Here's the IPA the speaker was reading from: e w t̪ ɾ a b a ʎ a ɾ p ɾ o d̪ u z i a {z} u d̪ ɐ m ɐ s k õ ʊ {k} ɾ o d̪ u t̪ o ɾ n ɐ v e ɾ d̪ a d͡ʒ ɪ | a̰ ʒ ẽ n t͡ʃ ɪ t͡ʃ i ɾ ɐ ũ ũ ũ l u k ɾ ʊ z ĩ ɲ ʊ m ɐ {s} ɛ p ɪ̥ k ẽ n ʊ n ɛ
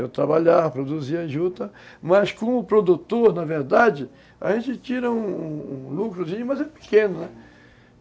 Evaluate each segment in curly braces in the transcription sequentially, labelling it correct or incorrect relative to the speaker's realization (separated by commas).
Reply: incorrect, incorrect, incorrect